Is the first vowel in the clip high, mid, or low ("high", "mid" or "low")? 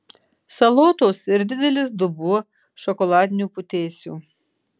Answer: low